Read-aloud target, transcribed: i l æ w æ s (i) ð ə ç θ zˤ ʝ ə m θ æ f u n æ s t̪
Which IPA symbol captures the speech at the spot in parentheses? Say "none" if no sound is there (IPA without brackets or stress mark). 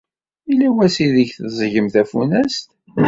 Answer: i